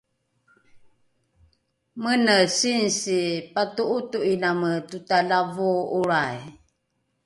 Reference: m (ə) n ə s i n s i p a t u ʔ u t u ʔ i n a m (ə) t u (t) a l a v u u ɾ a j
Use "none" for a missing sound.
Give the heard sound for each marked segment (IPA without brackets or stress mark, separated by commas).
ə, ə, t